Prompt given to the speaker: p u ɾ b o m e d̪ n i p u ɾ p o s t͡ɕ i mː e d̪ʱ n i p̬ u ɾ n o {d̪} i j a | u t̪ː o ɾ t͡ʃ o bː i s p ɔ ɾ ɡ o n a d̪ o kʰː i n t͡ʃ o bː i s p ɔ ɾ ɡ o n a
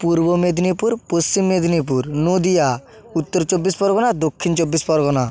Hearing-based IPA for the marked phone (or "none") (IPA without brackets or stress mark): d̪